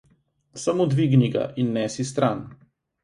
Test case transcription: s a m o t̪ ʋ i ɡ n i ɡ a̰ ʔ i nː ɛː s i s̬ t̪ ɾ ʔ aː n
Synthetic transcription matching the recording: s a m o d̪ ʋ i ɡ n i ɡ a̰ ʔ i nː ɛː s i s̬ t̪ ɾ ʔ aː n